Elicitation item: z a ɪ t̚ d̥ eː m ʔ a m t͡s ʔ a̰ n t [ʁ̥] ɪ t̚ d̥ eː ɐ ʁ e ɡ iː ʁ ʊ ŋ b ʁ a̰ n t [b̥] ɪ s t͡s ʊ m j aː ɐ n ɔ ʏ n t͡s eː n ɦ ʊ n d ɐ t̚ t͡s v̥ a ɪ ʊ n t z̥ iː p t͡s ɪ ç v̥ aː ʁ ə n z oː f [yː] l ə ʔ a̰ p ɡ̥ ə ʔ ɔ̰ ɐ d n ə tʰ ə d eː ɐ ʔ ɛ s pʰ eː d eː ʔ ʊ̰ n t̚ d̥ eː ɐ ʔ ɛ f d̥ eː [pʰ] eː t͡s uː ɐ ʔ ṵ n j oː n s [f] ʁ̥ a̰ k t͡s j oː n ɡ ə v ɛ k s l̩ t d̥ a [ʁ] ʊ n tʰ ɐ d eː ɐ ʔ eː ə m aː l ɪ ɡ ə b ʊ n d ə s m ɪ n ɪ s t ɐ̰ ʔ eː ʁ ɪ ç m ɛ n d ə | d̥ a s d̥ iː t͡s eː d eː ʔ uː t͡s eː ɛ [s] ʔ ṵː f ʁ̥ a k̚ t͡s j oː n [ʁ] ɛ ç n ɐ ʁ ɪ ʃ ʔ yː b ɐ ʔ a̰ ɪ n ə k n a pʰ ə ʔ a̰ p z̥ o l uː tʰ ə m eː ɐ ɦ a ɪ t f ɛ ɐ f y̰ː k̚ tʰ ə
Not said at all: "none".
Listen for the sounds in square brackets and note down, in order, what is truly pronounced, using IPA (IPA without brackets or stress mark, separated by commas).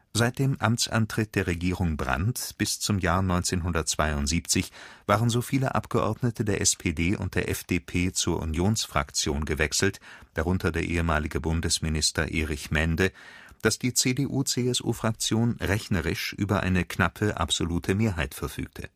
ʁ̥, b̥, iː, pʰ, f, ʁ, s, ʁ